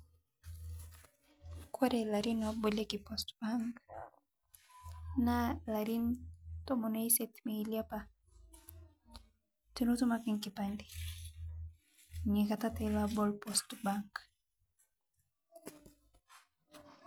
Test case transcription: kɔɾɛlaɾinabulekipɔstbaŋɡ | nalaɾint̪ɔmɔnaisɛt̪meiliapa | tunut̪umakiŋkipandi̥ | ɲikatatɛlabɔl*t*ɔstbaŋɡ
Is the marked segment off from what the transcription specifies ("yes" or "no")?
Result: yes